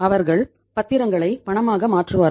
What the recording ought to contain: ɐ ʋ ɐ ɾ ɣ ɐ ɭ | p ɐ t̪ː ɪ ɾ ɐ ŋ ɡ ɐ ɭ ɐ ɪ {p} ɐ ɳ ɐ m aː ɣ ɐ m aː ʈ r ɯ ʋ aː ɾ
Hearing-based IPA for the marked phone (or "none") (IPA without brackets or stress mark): p